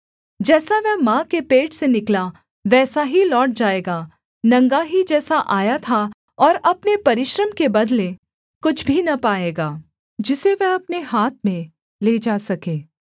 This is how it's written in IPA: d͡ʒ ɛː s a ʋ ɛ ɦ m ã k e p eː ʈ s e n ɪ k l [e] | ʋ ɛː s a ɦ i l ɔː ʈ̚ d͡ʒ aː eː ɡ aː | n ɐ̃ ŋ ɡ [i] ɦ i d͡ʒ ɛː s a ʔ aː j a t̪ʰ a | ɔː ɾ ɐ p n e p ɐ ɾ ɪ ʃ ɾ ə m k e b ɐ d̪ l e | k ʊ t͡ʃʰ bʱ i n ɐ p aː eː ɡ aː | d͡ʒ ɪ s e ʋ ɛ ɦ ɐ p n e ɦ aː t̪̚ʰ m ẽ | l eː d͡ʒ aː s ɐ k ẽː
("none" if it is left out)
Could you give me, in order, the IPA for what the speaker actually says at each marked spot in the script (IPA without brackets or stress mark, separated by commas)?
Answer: a, a